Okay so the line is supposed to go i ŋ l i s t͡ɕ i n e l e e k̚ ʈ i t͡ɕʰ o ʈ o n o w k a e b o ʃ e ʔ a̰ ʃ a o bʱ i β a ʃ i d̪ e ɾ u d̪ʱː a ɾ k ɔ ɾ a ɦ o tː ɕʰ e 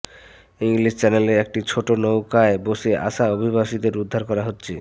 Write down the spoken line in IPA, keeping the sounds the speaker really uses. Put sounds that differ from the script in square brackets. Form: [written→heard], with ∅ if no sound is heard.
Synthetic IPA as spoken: i ŋ l i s t͡ɕ [i→ɛ] n e l e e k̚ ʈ i t͡ɕʰ o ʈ o n o w k a e b o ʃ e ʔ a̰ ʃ a o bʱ i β a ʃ i d̪ e ɾ u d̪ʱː a ɾ k ɔ ɾ a ɦ o tː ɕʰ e